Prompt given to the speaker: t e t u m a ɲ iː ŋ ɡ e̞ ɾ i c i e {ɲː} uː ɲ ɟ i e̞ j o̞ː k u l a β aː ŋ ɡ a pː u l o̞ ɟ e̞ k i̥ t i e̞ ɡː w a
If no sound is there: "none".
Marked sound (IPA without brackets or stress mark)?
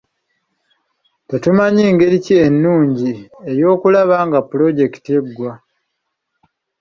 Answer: nː